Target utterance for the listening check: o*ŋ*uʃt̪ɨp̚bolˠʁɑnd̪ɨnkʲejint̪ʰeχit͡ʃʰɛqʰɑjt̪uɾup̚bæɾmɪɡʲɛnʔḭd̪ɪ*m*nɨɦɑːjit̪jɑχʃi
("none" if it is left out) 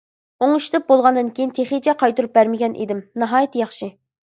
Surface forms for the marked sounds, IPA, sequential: ŋ, m

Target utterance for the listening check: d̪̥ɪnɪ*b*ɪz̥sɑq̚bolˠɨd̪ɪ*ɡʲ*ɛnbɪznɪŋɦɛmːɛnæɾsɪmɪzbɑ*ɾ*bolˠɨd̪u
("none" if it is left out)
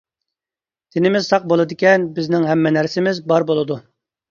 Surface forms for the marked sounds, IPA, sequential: m, kʲ, ɾ

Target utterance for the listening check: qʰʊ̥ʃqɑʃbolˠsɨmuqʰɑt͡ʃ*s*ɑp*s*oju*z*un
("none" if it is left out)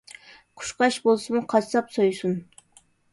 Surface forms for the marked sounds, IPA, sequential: s, s, s

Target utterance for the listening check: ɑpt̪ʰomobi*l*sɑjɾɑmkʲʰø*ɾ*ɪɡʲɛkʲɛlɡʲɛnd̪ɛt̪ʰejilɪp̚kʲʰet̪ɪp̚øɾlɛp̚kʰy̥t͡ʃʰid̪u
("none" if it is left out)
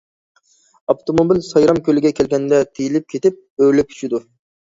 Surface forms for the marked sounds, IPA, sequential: l, l

